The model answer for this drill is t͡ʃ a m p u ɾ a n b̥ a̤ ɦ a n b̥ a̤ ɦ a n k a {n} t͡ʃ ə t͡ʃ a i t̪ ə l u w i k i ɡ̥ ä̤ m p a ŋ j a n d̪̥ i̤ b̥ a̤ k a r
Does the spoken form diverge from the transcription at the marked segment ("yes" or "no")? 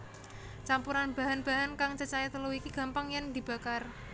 yes